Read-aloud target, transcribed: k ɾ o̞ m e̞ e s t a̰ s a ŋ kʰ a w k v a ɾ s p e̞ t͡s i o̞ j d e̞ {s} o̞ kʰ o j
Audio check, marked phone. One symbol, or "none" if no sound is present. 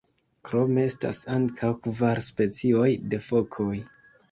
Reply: f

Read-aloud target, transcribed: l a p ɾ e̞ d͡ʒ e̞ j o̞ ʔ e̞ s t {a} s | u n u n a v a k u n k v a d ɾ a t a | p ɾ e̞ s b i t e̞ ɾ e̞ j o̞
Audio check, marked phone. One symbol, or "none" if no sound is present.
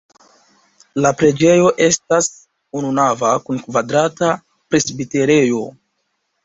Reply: a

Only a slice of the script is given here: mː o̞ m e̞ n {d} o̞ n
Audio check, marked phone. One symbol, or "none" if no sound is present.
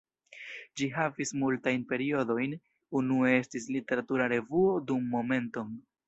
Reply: t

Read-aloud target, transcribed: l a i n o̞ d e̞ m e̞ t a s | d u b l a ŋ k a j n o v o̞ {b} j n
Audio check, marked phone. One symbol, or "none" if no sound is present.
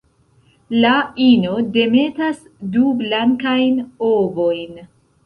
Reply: none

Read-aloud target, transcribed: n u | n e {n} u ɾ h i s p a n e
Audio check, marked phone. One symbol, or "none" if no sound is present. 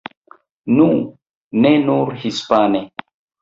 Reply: n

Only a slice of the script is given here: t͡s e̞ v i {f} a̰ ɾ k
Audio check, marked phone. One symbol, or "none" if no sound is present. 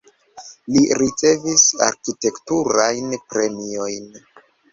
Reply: s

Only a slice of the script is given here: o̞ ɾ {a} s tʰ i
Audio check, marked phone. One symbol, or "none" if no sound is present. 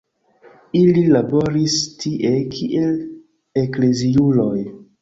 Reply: i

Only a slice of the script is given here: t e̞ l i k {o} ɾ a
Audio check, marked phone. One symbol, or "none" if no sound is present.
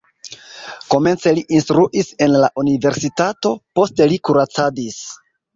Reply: u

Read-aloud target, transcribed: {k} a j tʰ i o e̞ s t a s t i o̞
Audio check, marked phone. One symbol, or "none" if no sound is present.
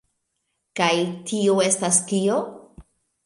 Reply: k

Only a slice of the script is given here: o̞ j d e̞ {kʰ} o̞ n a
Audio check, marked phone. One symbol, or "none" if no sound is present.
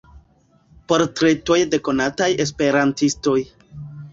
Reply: k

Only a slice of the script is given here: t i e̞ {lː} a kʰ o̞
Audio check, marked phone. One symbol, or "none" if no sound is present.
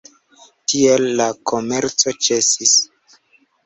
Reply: lː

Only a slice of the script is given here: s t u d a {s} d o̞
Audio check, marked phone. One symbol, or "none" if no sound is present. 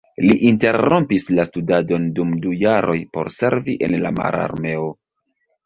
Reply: none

